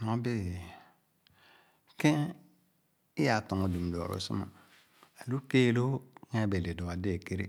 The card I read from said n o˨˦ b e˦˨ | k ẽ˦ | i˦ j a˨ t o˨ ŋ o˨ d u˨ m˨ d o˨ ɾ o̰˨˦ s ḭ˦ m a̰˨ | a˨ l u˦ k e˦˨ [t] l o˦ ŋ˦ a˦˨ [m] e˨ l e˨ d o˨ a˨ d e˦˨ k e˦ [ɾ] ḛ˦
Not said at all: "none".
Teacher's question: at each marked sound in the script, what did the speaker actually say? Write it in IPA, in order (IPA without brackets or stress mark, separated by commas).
none, b, ɾ